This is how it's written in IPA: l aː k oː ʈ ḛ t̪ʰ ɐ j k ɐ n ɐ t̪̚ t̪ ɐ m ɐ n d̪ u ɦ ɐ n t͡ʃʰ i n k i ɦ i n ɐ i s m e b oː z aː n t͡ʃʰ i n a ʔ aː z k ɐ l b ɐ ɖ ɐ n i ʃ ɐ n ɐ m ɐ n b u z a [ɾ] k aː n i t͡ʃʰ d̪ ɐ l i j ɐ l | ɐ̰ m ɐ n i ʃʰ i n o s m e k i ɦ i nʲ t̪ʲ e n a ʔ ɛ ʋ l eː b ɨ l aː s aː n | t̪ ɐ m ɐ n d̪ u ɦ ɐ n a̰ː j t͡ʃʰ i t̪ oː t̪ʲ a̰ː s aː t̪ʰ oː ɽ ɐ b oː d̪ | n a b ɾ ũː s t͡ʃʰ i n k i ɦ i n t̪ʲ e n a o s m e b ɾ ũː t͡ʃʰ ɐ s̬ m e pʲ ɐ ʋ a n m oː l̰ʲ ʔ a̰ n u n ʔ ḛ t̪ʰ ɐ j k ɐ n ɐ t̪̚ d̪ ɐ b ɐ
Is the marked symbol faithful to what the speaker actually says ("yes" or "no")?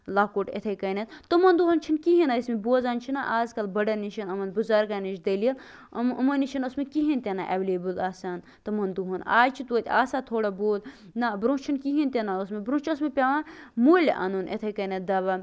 yes